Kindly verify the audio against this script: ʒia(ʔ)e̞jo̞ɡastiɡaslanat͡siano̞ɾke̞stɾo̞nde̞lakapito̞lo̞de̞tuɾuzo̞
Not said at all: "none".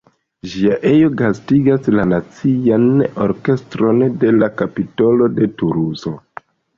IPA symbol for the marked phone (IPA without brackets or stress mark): ʔ